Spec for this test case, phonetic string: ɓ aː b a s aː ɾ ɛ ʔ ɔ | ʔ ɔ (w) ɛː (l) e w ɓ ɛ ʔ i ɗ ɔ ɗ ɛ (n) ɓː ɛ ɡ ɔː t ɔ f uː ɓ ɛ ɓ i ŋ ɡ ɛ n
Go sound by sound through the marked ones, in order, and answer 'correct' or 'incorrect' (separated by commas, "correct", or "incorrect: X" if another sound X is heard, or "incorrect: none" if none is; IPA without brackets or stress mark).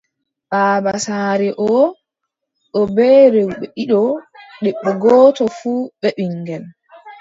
incorrect: b, incorrect: ɾ, incorrect: none